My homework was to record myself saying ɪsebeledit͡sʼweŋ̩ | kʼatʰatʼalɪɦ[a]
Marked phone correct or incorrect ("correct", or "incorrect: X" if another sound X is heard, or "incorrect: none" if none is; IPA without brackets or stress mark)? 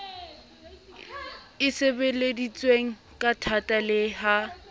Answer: correct